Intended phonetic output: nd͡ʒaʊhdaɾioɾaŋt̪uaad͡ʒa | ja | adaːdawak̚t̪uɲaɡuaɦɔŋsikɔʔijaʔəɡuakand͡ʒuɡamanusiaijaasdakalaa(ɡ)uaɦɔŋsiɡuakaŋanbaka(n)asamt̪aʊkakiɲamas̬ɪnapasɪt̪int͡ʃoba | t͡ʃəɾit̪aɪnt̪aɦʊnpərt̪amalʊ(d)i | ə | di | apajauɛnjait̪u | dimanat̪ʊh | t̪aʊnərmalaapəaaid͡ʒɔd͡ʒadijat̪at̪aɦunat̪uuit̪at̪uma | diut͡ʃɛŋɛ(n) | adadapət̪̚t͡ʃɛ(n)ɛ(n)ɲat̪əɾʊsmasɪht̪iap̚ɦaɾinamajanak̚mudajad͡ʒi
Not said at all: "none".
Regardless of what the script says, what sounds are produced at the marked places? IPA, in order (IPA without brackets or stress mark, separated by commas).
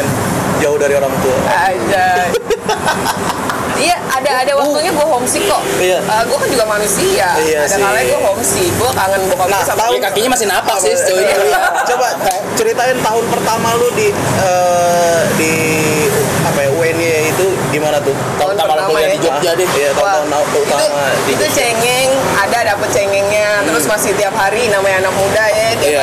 ɡ, n, d, ŋ, ŋ, ŋ